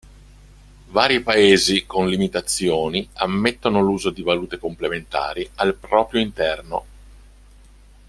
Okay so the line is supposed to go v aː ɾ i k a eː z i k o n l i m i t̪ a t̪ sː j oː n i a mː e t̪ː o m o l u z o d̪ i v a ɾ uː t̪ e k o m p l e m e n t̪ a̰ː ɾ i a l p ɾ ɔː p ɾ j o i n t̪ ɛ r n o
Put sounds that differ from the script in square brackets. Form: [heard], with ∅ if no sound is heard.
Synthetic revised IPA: v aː ɾ i [p] a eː z i k o n l i m i t̪ a t̪ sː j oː n i a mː e t̪ː o [n] o l [uː] z o d̪ i v a [l] uː t̪ e k o m p l e m e n t̪ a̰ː ɾ i a l p ɾ ɔː p ɾ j o i n t̪ ɛ r n o